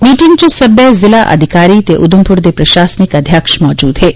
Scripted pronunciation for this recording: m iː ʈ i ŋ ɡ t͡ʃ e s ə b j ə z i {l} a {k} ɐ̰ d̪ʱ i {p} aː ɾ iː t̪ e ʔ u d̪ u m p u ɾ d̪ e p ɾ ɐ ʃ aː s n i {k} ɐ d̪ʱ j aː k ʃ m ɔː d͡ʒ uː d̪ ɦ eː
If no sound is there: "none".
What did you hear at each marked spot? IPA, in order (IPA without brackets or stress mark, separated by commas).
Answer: l, ʔ, k, k